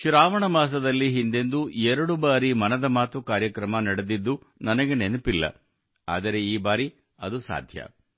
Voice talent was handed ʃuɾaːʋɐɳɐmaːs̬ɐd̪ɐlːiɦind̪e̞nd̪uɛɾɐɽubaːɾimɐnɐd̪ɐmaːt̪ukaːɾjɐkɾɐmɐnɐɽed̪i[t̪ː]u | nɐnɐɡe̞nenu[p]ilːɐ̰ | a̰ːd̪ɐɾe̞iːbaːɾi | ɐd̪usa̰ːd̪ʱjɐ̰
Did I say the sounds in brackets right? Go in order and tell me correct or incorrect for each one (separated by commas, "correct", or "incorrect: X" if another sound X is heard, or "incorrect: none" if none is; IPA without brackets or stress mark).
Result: incorrect: d̪ː, correct